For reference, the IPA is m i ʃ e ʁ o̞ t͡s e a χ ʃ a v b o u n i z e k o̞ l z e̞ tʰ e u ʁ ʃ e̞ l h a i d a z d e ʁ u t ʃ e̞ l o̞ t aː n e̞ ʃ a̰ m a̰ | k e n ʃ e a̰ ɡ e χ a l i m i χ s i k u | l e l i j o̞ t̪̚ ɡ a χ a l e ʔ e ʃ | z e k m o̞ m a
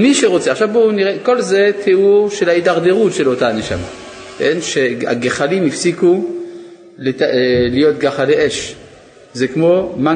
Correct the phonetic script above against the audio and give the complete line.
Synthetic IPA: m i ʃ e ʁ o̞ t͡s e a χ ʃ a v b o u n i ʁ e k o̞ l z e̞ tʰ e u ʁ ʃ e̞ l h a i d a ʁ d e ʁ u t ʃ e̞ l o̞ t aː n e̞ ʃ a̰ m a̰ | k e n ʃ e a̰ ɡ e χ a l i m i f s i k u | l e l i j o̞ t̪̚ ɡ a χ a l e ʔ e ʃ | z e k m o̞ m a